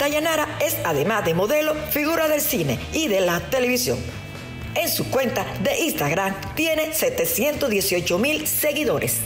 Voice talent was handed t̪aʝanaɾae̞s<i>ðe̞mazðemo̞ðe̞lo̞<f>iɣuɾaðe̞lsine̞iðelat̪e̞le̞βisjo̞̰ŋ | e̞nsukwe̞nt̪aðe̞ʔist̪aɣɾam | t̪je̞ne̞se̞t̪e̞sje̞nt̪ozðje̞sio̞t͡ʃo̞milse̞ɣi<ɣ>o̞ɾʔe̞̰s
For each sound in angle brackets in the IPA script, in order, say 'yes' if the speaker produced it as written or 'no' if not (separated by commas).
no, yes, no